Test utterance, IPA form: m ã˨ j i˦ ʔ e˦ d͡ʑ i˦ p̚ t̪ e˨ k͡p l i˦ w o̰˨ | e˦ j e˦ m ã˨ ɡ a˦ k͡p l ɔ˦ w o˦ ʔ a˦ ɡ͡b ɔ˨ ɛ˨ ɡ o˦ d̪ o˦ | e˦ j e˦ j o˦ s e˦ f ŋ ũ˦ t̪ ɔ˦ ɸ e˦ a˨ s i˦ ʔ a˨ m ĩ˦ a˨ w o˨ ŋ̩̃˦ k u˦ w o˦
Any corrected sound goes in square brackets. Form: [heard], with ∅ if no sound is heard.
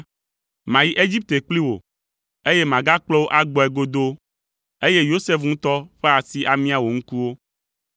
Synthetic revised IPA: m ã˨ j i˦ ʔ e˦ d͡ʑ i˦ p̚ t̪ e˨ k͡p l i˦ w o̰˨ | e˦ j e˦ m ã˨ ɡ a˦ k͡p l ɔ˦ w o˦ ʔ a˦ ɡ͡b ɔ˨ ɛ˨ ɡ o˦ d̪ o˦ | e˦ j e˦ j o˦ s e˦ f ŋ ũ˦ t̪ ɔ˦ ɸ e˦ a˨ s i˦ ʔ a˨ m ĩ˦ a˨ w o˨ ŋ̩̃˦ k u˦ w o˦